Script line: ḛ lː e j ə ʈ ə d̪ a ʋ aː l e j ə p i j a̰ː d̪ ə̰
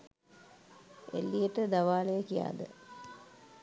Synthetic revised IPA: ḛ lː i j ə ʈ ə d̪ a ʋ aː l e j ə k i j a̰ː d̪ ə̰